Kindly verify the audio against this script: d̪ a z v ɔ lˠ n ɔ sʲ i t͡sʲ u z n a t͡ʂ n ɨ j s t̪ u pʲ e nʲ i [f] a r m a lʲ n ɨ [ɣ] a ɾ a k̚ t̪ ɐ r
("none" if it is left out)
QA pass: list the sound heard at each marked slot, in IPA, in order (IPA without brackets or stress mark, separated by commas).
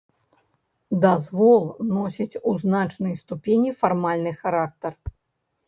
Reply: f, x